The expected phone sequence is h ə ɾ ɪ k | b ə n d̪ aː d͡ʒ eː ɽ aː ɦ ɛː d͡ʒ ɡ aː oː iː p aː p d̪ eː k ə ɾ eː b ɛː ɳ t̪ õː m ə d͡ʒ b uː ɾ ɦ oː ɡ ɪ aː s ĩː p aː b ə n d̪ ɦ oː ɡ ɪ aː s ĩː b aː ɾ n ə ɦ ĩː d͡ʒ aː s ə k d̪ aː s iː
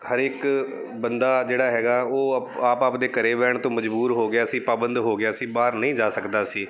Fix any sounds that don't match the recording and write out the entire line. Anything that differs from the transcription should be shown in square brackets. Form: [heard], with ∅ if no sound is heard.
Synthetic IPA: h ə ɾ ɪ k | b ə n d̪ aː d͡ʒ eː ɽ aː ɦ ɛː [∅] ɡ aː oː [aː] p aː p d̪ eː k ə ɾ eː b ɛː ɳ t̪ õː m ə d͡ʒ b uː ɾ ɦ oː ɡ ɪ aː s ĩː p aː b ə n d̪ ɦ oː ɡ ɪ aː s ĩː b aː ɾ n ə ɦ ĩː d͡ʒ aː s ə k d̪ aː s iː